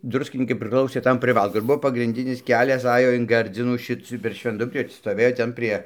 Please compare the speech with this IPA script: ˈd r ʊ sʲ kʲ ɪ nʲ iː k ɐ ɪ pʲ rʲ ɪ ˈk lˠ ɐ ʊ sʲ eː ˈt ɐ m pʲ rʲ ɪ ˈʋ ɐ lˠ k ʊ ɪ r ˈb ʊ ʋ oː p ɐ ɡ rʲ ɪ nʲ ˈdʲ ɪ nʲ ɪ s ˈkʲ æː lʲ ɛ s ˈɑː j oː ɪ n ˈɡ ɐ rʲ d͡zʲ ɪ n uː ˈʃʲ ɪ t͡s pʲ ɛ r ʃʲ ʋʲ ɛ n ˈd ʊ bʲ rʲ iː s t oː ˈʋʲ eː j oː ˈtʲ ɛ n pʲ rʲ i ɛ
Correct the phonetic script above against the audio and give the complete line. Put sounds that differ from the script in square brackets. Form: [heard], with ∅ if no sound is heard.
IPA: ˈd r ʊ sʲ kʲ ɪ nʲ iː k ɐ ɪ pʲ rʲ ɪ ˈk lˠ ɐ ʊ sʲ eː ˈt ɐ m pʲ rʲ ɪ ˈʋ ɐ lˠ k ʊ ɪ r ˈb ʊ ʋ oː p ɐ ɡ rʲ ɪ nʲ ˈdʲ ɪ nʲ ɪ s ˈkʲ æː lʲ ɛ s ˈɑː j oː ɪ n ˈɡ ɐ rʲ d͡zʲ ɪ n uː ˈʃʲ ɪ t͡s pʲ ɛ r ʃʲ ʋʲ ɛ n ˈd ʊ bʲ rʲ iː s t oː ˈʋʲ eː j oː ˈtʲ ɛ n pʲ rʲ i ɛ